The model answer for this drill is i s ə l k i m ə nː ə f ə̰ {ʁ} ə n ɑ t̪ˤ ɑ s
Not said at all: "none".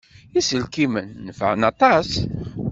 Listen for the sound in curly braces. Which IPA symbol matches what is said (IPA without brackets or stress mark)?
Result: ʕ